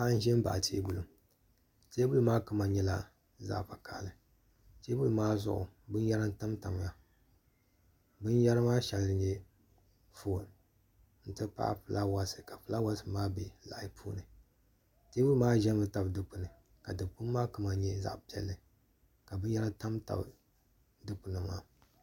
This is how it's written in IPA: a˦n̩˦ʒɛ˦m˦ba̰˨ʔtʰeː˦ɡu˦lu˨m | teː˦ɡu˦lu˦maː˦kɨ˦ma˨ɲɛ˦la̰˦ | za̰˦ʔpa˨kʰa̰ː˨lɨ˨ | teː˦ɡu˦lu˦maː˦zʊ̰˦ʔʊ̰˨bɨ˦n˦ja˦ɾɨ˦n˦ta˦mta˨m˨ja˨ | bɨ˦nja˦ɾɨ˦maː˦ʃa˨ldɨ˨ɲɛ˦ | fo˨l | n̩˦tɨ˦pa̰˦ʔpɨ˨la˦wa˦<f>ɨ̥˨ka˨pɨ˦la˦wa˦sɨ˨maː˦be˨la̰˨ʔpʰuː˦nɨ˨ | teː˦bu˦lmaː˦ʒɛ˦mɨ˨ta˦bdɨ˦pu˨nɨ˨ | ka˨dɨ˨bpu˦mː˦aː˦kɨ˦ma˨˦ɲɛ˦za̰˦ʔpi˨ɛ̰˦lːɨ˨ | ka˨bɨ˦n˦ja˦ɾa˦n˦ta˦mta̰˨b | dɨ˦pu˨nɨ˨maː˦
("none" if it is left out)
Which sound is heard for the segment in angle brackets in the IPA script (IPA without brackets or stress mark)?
s